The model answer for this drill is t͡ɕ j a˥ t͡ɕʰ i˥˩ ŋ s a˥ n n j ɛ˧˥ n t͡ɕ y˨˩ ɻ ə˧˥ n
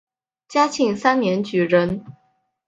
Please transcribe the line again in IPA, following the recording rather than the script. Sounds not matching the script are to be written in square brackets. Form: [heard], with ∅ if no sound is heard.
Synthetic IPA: t͡ɕ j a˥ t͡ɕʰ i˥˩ ŋ s a˥ n n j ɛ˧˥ n t͡ɕ y˨˩ ɻ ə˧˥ n